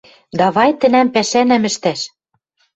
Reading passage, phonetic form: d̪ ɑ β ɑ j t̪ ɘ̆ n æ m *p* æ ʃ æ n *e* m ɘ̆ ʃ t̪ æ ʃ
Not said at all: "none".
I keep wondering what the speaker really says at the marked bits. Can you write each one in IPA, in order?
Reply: p, æ

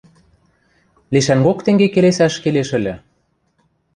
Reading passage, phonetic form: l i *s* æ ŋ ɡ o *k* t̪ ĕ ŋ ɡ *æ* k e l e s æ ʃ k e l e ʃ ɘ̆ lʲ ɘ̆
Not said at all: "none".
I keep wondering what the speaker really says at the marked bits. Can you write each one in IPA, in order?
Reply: ʃ, k, e

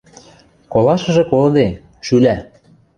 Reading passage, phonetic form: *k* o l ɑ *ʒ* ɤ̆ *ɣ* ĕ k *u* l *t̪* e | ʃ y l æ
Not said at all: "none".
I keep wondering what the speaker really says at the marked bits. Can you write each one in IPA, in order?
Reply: k, ʃ, ʒ, o, d̪

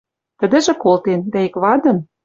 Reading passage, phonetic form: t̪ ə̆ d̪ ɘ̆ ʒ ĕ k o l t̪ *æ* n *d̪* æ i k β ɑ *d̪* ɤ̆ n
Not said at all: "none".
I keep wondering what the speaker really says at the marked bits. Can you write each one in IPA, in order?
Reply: e, d̪, d̪

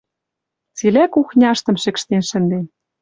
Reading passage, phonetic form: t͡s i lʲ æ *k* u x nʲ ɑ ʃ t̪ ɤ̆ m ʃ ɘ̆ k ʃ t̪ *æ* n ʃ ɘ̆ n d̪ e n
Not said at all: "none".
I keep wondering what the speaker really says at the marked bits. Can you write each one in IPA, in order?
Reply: k, e

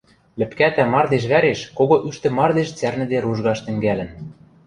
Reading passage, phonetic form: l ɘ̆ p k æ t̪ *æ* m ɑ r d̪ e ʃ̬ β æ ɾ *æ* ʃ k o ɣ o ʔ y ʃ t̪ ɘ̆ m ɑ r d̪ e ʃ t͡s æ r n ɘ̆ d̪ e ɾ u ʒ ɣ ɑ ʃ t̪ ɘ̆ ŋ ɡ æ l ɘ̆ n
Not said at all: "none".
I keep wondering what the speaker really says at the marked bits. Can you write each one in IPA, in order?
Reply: æ, e

